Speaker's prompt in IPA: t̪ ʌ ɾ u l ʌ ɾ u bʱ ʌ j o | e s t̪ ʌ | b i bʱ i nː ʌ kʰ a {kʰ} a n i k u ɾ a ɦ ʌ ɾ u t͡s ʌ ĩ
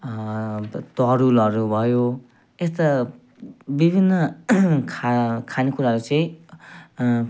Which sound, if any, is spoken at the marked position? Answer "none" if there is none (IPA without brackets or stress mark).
kʰ